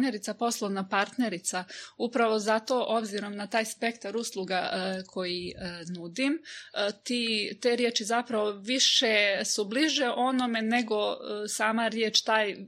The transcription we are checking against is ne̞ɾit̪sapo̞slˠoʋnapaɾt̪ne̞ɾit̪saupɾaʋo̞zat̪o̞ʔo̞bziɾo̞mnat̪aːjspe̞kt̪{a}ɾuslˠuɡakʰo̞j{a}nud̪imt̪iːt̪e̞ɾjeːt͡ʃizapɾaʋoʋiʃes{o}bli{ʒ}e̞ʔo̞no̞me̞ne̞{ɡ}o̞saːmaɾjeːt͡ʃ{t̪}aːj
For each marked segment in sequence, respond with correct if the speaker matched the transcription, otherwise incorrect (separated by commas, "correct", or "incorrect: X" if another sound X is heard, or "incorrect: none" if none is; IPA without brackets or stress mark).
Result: correct, incorrect: i, incorrect: u, correct, correct, correct